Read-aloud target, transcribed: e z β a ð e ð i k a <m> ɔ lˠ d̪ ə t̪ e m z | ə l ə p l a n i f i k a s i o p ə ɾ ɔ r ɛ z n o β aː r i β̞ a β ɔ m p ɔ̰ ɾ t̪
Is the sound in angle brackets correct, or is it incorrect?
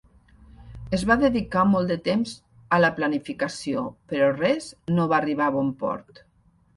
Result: correct